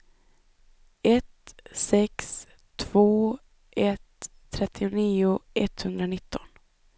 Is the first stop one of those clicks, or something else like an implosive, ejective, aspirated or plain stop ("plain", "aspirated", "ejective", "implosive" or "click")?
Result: plain